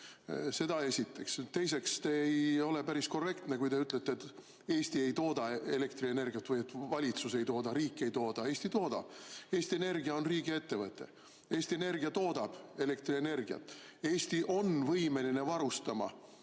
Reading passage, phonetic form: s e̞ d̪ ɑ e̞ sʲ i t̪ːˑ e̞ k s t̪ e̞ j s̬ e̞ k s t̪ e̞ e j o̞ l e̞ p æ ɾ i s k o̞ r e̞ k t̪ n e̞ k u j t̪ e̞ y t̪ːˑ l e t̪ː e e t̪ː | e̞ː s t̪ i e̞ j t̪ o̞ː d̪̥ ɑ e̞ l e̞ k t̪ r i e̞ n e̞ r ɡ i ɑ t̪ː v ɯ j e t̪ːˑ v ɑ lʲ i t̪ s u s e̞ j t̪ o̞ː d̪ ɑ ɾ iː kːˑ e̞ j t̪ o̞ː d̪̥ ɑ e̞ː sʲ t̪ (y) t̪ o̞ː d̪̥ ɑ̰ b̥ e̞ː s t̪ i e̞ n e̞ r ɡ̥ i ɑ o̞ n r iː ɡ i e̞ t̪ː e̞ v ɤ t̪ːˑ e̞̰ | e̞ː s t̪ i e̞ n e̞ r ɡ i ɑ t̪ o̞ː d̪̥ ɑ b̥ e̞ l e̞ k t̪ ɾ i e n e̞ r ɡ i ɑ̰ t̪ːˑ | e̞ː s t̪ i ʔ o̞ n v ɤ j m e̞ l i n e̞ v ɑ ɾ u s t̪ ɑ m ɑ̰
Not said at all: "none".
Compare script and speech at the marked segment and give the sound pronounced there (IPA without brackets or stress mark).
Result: i